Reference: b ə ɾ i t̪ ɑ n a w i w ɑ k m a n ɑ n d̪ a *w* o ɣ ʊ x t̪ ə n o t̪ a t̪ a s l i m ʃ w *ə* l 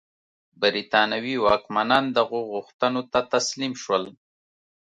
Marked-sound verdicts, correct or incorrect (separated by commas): incorrect, correct